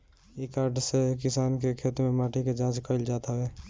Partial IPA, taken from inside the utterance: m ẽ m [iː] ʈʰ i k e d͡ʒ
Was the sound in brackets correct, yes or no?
no